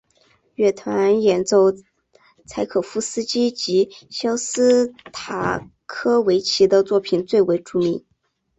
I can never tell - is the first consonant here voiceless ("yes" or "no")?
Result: no